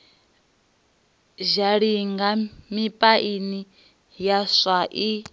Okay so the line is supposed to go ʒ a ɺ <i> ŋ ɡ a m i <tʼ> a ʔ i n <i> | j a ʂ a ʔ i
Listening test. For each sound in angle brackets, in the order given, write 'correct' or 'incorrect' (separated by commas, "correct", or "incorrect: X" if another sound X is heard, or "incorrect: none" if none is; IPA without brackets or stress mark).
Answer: correct, incorrect: pʼ, correct